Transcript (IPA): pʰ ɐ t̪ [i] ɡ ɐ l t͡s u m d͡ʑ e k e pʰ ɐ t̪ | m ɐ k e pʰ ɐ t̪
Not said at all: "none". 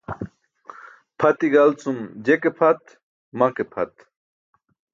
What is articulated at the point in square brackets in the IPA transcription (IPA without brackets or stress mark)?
i